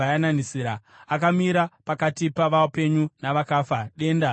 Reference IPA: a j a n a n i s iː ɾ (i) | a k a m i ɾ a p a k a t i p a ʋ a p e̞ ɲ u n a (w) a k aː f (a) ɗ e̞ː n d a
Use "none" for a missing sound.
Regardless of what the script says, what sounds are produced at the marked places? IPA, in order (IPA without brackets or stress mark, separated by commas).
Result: a, ʋ, a